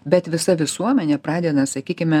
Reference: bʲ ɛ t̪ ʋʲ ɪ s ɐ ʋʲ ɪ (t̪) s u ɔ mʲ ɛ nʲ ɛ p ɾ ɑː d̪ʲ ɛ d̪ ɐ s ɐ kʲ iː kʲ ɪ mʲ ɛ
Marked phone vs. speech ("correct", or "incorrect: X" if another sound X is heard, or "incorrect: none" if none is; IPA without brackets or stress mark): incorrect: none